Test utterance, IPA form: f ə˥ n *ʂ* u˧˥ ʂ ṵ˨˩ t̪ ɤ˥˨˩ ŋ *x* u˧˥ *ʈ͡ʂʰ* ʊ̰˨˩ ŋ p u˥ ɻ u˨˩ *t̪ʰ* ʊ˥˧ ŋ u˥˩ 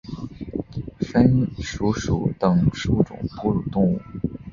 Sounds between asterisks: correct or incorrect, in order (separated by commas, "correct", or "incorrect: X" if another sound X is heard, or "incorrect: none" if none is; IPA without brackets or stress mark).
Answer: correct, incorrect: ʂ, incorrect: ʈ͡ʂ, incorrect: t̪